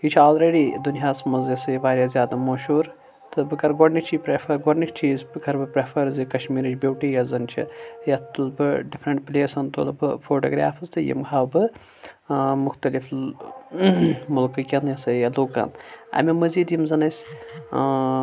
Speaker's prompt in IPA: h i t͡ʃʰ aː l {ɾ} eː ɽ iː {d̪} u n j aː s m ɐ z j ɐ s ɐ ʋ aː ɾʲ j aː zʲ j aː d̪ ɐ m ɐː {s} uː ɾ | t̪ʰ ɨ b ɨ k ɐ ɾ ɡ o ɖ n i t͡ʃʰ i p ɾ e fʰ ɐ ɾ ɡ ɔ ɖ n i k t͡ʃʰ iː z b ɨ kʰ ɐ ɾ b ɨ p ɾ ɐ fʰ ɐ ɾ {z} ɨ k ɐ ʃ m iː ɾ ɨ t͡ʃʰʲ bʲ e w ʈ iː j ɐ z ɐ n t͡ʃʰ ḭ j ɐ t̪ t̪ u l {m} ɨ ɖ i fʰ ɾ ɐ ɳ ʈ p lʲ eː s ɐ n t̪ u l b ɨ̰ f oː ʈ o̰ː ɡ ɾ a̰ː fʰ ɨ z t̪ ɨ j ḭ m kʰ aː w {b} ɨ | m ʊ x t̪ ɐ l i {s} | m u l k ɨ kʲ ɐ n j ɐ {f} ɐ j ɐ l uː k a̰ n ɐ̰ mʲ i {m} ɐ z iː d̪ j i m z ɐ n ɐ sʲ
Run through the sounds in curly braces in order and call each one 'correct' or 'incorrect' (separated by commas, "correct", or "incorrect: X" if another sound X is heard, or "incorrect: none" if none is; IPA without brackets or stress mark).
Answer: correct, correct, incorrect: ʃ, correct, incorrect: b, correct, incorrect: f, incorrect: s, correct